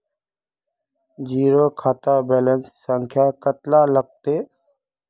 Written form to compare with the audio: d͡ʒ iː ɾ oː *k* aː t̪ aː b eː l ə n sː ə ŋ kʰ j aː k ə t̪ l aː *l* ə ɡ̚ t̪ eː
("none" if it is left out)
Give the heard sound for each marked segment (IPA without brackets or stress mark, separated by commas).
kʰ, l